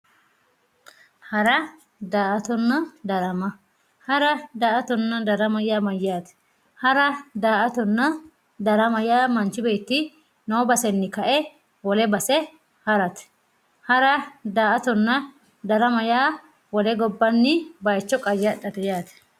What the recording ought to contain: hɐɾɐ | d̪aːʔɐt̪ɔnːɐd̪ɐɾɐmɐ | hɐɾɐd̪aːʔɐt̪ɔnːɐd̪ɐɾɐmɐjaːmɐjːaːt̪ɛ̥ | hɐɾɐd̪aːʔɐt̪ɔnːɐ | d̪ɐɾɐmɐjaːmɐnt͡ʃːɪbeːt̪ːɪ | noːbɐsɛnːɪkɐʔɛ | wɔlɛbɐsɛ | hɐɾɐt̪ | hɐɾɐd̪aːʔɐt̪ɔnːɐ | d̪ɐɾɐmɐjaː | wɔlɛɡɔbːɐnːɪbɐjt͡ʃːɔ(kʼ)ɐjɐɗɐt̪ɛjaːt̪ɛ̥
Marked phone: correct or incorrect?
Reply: correct